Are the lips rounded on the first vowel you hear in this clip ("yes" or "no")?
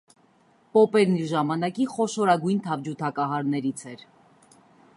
yes